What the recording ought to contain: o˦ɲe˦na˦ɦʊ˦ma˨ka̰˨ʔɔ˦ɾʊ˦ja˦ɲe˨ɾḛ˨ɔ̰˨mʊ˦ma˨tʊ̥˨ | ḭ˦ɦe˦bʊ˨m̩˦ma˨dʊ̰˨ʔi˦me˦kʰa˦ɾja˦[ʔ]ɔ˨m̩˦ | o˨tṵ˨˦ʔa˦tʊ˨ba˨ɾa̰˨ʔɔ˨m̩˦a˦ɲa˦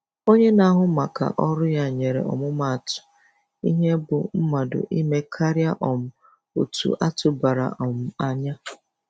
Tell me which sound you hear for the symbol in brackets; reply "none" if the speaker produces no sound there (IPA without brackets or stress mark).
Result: ʔ